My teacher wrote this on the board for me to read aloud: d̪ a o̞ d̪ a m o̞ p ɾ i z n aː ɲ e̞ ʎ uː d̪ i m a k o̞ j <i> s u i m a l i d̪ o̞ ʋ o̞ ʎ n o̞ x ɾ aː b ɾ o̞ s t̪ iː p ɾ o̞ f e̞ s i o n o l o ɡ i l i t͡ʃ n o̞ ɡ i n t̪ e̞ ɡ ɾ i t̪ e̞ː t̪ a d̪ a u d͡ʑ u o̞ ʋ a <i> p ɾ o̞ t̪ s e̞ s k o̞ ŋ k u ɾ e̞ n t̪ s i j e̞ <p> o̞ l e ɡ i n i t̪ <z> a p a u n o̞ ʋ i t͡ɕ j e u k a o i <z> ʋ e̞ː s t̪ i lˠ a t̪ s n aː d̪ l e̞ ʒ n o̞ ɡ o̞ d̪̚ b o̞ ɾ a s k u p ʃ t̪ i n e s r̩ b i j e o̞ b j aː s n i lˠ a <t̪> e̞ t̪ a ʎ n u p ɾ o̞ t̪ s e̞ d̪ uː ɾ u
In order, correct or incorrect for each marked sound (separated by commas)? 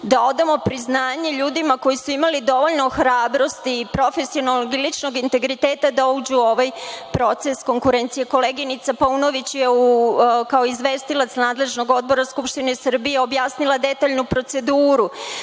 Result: correct, incorrect, incorrect, incorrect, correct, incorrect